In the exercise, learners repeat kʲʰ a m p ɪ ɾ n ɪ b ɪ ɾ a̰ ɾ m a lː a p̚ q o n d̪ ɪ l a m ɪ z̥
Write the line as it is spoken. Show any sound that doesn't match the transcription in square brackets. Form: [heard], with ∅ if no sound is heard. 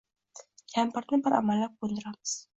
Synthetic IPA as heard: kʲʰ a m p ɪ ɾ n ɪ b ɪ ɾ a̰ [∅] m a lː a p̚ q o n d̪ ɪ [ɾ] a m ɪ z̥

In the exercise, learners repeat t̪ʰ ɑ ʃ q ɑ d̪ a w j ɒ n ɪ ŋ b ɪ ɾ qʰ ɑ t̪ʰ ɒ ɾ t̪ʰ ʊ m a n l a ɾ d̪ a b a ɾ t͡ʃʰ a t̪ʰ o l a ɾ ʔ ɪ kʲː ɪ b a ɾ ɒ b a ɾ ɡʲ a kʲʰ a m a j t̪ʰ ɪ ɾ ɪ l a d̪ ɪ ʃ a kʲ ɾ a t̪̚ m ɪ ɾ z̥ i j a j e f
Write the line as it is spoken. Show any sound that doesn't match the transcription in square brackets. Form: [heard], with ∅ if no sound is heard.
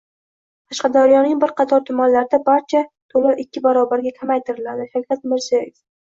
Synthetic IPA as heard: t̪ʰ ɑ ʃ q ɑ d̪ a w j ɒ n ɪ ŋ b ɪ ɾ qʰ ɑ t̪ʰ ɒ ɾ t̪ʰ ʊ m a n l a ɾ d̪ a b a ɾ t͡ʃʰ a t̪ʰ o l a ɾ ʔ ɪ kʲː ɪ b a ɾ ɒ b a ɾ ɡʲ a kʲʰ a m a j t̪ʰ ɪ ɾ ɪ l a d̪ ɪ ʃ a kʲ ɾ a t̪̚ m ɪ ɾ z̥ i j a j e f

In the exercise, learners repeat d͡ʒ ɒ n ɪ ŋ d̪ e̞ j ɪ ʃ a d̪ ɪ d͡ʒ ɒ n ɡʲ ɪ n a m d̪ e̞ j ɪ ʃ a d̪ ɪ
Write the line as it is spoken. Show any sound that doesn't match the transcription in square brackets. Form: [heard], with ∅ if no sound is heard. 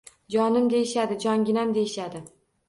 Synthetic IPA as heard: d͡ʒ ɒ n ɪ [m] d̪ e̞ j ɪ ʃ a d̪ ɪ d͡ʒ ɒ [ŋ] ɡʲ ɪ n a m d̪ e̞ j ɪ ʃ a d̪ ɪ

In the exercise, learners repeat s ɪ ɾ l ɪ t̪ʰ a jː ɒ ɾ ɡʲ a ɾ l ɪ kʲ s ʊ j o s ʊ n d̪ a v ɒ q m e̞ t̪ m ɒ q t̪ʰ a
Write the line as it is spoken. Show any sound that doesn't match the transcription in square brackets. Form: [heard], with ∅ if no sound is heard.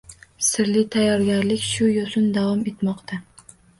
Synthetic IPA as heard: s ɪ ɾ l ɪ t̪ʰ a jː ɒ ɾ ɡʲ a ɾ l ɪ kʲ [ʃ] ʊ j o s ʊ n d̪ a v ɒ [∅] m e̞ t̪ m ɒ q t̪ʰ a

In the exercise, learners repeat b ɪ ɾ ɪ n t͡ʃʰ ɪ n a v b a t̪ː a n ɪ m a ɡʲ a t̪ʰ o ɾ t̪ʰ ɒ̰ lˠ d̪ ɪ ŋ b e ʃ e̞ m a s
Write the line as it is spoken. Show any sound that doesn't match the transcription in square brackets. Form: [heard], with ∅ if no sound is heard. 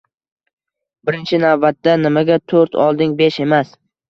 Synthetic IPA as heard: b ɪ ɾ ɪ n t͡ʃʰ ɪ n a v b a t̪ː a n ɪ m a ɡʲ a t̪ʰ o ɾ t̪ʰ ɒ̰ lˠ d̪ ɪ ŋ b e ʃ e̞ m a s

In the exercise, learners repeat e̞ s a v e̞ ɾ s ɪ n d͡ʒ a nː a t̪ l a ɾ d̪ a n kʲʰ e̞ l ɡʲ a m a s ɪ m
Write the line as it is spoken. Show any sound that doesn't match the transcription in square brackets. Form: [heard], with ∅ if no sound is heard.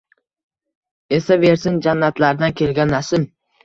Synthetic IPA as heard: e̞ s a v e̞ ɾ s ɪ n d͡ʒ a nː a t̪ l a ɾ d̪ a n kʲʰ e̞ l ɡʲ a [n] a s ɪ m

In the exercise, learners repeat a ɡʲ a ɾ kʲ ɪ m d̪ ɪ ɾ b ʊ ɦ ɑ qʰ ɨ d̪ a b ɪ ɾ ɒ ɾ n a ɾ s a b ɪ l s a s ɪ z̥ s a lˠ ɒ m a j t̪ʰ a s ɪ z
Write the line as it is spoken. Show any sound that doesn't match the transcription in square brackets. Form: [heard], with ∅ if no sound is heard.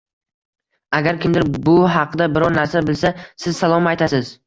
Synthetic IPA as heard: a ɡʲ a ɾ kʲ ɪ m d̪ ɪ ɾ b ʊ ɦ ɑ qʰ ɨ d̪ a b ɪ ɾ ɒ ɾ n a ɾ s a b ɪ l s a s ɪ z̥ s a lˠ ɒ m a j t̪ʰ a s ɪ z

